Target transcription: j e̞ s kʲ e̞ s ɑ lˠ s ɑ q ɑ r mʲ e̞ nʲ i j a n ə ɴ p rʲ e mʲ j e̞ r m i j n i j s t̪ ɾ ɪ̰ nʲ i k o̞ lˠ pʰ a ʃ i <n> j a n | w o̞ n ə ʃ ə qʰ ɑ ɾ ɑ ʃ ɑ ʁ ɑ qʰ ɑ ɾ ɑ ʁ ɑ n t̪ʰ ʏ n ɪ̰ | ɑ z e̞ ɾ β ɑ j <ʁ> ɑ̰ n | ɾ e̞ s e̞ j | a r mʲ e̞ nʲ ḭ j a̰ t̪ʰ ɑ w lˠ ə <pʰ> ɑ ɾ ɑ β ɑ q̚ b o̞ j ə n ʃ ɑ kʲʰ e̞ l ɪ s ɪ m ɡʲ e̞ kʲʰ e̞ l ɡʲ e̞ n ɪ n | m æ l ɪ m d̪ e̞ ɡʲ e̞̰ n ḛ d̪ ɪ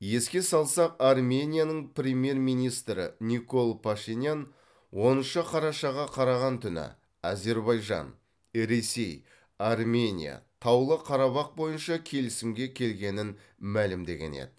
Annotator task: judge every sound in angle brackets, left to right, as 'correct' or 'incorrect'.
correct, incorrect: ʒ, incorrect: qʰ

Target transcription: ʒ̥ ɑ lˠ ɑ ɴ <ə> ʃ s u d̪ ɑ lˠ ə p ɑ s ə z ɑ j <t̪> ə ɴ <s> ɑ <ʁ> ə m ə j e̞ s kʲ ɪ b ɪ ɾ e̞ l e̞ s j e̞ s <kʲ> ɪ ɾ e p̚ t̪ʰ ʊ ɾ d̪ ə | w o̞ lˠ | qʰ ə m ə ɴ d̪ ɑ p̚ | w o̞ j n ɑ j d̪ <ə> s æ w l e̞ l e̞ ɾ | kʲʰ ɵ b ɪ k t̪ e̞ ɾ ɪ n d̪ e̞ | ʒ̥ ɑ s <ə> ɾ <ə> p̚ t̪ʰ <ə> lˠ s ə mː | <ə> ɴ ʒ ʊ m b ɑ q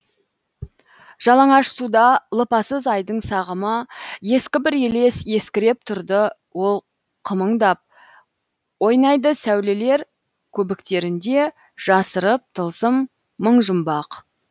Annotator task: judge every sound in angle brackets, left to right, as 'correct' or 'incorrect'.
incorrect: ɑ, incorrect: d̪, correct, correct, correct, correct, correct, correct, correct, correct

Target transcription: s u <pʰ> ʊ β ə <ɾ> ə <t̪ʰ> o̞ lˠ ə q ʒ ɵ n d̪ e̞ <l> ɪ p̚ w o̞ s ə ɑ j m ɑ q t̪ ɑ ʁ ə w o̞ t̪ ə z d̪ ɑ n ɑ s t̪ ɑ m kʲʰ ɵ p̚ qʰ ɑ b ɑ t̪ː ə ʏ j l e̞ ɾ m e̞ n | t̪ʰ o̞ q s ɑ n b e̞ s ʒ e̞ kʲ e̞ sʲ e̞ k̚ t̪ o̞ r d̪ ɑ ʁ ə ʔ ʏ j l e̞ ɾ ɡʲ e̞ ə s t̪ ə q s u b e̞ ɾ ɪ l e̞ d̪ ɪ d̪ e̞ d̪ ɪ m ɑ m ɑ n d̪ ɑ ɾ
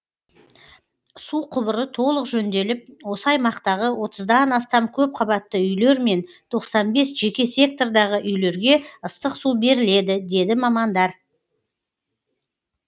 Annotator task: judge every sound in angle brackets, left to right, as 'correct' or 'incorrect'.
incorrect: qʰ, correct, correct, correct

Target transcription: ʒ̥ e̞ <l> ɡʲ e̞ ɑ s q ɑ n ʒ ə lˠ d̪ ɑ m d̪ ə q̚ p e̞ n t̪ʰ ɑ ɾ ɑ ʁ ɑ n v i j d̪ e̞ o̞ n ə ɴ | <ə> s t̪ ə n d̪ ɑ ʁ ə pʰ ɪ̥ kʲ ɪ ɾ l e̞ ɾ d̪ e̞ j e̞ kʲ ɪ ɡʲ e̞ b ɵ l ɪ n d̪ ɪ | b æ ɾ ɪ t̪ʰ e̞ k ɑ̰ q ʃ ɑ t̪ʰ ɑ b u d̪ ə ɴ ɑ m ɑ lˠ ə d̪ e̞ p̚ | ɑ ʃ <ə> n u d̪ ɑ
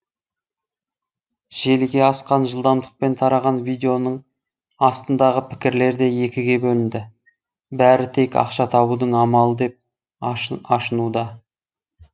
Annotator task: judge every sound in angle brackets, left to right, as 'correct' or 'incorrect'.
correct, incorrect: ɑ, correct

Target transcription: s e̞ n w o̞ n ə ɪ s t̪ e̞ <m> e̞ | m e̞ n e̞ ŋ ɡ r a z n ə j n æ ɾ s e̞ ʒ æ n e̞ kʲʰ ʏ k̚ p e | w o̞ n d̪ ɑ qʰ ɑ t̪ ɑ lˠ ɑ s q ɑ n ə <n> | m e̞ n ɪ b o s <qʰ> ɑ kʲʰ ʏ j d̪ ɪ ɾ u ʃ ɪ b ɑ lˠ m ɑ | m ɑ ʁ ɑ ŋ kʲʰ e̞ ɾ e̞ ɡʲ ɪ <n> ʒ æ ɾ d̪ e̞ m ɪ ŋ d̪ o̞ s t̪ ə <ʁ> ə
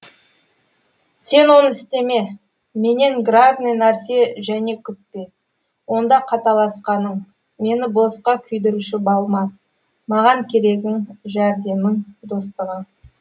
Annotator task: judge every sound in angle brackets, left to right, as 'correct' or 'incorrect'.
correct, incorrect: ɴ, incorrect: q, incorrect: ŋ, correct

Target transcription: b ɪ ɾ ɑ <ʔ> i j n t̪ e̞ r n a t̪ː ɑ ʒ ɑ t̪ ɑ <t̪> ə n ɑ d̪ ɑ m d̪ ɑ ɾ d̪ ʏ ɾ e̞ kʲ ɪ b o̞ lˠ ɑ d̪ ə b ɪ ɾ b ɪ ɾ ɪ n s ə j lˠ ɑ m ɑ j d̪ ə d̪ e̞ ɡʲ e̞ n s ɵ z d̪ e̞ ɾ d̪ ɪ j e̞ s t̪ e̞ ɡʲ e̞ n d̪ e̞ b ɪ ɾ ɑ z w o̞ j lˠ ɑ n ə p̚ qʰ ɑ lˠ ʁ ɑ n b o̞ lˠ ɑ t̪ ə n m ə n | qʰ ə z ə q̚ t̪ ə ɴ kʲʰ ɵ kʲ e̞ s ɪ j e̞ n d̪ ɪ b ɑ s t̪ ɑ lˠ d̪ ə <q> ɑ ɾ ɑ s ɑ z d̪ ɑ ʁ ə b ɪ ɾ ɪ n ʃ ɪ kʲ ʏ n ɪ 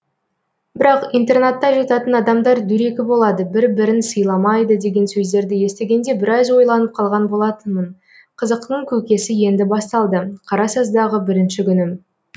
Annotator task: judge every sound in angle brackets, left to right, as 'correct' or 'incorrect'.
incorrect: q, correct, incorrect: qʰ

